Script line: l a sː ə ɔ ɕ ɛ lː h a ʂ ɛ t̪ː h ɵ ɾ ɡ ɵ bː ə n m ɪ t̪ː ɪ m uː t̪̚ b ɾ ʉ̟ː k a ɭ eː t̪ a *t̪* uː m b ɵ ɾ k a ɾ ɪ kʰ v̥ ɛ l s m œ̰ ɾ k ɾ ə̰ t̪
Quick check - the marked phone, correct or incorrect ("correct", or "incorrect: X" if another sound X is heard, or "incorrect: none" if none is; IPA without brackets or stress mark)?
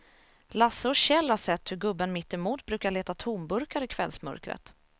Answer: incorrect: t̪ʰ